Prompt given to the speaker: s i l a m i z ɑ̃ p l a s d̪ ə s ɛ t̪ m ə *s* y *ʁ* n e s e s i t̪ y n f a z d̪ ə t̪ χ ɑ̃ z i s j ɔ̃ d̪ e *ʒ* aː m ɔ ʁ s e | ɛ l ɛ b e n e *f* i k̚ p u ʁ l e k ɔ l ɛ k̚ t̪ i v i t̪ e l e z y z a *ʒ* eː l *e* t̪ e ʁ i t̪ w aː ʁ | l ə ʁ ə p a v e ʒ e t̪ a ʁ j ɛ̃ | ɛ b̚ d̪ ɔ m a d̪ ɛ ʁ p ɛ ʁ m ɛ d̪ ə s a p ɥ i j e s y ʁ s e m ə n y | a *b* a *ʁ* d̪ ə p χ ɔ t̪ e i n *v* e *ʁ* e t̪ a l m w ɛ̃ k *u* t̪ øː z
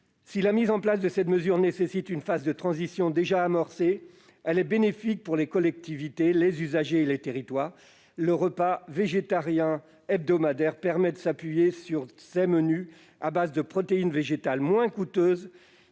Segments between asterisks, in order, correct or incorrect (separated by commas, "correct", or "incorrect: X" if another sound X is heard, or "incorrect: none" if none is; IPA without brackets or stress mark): incorrect: z, correct, correct, correct, correct, correct, correct, incorrect: z, correct, incorrect: ʒ, correct